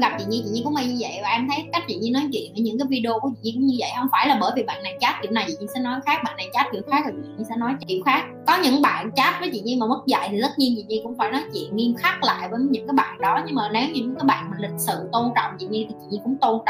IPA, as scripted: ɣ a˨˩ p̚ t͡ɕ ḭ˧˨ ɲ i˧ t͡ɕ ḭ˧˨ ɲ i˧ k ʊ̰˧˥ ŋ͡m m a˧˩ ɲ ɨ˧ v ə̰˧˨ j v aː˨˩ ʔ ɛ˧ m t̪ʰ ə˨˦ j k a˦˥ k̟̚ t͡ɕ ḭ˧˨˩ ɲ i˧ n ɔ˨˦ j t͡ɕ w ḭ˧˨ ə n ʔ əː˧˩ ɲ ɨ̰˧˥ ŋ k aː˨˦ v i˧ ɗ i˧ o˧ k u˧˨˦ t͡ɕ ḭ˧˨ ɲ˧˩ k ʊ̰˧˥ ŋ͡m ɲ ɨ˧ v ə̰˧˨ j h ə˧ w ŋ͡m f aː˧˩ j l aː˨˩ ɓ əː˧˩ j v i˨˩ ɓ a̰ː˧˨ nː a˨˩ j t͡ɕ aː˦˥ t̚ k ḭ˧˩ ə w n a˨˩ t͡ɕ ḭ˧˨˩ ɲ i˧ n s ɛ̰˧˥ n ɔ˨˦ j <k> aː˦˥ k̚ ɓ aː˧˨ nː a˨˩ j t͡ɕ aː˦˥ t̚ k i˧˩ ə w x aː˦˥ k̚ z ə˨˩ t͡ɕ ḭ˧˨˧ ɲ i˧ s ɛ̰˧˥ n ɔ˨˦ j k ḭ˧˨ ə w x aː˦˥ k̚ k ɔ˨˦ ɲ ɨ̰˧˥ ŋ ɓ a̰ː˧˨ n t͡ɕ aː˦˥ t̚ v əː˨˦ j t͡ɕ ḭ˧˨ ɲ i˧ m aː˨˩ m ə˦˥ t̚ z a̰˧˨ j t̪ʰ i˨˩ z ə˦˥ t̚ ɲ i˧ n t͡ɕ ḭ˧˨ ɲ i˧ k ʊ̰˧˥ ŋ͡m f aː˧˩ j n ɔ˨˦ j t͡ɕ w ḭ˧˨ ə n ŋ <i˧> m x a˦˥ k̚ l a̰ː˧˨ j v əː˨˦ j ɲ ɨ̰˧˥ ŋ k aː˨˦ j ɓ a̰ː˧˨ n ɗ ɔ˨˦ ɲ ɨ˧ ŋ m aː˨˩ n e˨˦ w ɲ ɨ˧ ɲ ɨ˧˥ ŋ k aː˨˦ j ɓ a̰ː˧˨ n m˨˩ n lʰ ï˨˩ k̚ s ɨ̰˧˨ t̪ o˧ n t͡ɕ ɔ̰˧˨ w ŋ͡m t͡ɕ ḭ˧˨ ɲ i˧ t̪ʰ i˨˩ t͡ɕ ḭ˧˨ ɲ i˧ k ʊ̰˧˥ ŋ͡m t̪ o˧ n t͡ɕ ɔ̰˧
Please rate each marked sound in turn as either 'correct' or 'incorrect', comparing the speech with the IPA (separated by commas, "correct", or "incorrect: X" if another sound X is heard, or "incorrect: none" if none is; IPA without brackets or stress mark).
incorrect: x, correct